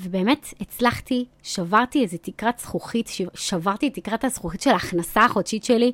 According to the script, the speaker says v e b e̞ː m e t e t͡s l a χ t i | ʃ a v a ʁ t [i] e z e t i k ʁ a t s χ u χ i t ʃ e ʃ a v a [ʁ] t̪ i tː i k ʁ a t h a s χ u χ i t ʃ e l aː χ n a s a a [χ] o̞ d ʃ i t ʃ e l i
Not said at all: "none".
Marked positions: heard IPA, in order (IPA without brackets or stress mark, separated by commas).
i, ʁ, χ